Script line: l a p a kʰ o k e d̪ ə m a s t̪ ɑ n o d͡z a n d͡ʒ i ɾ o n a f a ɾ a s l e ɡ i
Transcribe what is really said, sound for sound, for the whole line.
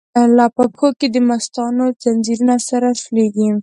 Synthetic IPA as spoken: l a p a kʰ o k e d̪ ə m a s t̪ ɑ n o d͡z a n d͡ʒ i ɾ u n a s a ɾ a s l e ɡ i